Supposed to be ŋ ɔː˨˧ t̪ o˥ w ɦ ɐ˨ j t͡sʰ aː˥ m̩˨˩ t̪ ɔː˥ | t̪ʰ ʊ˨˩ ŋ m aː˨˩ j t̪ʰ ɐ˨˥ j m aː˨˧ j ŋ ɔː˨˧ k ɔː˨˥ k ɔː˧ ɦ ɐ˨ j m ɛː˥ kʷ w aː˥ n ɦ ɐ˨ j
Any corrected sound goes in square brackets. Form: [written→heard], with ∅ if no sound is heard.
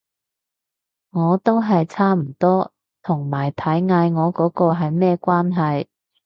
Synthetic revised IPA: ŋ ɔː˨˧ t̪ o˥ w ɦ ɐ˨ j t͡sʰ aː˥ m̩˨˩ t̪ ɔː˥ | t̪ʰ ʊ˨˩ ŋ m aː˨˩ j t̪ʰ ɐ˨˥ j [m→ŋ] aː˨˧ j ŋ ɔː˨˧ k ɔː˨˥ k ɔː˧ ɦ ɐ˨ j m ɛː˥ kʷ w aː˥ n ɦ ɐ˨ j